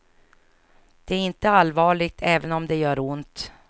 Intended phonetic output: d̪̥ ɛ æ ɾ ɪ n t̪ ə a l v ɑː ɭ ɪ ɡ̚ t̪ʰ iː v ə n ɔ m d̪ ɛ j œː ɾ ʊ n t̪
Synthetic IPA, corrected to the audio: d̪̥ ɛ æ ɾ ɪ n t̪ ə a l v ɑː ɭ ɪ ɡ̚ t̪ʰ ɛː v ə n ɔ m d̪ ɛ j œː ɾ ʊ n t̪